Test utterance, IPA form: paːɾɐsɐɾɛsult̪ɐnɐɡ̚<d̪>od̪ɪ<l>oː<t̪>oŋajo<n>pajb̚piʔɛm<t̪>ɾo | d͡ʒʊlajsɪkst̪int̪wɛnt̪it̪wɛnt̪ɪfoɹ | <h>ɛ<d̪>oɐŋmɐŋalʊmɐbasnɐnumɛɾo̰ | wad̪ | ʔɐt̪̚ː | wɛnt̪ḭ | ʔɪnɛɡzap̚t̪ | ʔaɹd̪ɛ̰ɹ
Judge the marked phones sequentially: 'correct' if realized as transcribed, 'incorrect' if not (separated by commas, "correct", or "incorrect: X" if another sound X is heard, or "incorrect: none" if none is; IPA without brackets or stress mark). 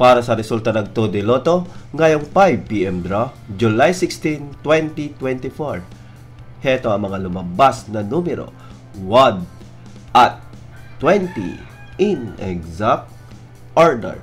incorrect: t̪, correct, correct, incorrect: ŋ, incorrect: d̪, correct, incorrect: t̪